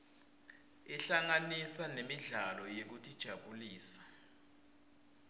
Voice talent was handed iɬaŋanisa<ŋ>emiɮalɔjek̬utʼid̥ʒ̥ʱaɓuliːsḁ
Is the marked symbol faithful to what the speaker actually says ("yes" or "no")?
no